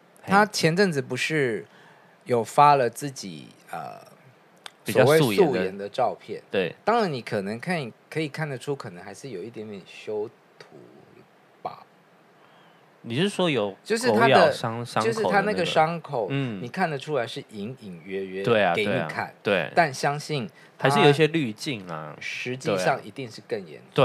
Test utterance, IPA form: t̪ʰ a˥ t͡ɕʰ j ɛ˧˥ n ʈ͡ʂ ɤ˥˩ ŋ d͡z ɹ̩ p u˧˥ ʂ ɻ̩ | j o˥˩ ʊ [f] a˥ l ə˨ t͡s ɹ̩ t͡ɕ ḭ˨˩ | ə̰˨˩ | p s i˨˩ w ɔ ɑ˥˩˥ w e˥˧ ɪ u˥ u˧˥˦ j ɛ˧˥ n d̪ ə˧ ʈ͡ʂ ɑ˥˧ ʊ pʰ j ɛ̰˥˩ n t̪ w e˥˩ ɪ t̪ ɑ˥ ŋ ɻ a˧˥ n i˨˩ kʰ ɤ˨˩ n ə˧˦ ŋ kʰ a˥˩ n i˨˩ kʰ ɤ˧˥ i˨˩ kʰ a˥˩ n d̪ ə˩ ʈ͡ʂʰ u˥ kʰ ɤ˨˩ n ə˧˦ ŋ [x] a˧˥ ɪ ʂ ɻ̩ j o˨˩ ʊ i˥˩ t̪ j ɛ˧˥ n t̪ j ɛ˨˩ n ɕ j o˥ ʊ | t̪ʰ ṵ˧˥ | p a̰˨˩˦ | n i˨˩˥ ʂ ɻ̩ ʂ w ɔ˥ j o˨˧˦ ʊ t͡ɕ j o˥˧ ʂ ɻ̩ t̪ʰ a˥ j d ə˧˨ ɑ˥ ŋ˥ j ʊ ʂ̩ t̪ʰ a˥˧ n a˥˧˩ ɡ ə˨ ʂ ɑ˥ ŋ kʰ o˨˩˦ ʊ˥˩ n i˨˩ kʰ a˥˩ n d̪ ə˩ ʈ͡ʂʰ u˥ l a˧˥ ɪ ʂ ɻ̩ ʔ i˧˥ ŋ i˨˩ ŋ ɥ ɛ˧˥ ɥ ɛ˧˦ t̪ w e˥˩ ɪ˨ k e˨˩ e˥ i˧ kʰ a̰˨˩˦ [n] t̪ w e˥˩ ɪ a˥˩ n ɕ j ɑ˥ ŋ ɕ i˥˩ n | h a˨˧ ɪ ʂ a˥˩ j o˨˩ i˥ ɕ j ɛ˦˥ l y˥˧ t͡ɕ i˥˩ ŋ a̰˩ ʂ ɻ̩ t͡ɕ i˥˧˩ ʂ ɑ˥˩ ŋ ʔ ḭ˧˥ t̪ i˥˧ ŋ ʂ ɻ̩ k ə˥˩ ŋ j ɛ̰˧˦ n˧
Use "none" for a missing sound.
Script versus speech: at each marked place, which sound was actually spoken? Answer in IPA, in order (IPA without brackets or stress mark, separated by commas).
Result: f, x, n